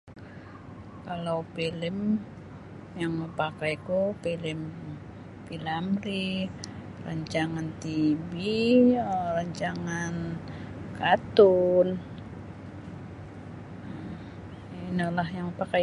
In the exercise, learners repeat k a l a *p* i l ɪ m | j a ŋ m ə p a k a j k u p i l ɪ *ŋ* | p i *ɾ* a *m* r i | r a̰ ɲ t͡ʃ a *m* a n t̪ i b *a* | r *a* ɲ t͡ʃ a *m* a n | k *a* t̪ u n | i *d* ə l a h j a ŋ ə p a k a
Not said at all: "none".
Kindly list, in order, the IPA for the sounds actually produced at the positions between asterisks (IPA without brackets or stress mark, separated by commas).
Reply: p, m, l, m, ŋ, i, a, ŋ, a, n